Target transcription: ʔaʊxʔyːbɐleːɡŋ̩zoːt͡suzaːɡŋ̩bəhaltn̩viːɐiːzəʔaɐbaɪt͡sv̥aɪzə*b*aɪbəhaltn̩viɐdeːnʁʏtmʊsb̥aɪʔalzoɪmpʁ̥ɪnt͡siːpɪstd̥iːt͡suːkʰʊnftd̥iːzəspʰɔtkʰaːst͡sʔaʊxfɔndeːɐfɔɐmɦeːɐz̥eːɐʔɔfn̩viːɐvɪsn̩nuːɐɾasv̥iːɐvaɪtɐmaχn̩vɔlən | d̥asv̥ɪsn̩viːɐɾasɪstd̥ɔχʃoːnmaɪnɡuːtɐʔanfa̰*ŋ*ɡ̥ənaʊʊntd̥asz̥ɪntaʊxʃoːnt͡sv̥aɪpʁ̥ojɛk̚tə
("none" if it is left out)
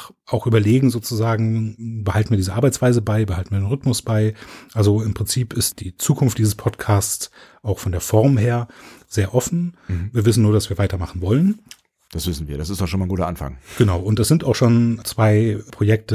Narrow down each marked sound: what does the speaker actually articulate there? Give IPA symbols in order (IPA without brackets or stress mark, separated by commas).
b, ŋ